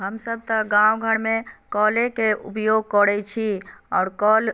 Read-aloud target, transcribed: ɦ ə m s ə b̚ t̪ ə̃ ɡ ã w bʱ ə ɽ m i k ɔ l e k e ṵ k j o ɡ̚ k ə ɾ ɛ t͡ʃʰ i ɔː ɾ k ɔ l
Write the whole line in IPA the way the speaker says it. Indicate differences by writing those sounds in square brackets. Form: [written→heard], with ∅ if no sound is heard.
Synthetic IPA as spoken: ɦ ə m s ə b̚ t̪ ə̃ ɡ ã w [bʱ→ɡʱ] ə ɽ m [i→e] k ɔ l e k e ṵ [k→p] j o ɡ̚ k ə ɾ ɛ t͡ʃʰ i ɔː ɾ k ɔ l